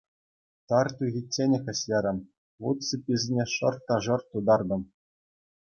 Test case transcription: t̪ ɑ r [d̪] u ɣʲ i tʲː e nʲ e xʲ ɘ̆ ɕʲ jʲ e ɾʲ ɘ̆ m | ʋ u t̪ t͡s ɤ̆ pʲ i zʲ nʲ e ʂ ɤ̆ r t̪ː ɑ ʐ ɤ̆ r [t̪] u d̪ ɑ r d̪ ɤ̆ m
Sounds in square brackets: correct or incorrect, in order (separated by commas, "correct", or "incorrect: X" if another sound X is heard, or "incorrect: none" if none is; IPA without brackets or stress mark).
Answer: incorrect: t̪, correct